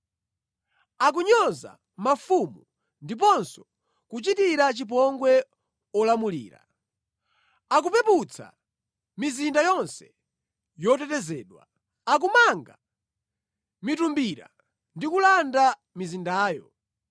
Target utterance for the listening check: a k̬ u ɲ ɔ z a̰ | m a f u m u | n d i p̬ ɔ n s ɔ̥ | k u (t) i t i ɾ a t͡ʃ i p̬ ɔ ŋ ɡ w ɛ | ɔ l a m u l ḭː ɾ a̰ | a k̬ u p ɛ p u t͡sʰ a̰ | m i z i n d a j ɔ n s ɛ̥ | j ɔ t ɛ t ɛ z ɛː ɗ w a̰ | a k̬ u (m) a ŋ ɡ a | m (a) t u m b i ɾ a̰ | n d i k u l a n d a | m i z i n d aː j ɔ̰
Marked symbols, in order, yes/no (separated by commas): no, yes, no